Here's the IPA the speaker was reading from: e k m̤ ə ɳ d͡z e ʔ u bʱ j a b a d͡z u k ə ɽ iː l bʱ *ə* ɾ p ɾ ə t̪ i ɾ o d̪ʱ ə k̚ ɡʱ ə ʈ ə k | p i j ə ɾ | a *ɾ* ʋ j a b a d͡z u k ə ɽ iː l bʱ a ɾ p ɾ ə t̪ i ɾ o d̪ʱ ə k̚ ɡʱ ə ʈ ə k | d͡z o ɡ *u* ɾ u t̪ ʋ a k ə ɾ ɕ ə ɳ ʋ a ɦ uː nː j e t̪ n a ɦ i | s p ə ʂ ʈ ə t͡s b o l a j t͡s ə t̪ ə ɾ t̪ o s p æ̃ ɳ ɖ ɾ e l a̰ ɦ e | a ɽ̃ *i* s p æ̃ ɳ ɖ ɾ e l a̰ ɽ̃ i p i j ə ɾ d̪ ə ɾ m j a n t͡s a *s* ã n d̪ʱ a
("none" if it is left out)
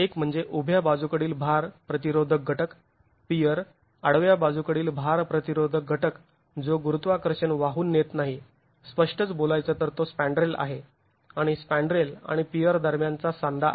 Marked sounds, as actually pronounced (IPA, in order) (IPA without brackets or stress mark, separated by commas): a, ɽ, u, i, s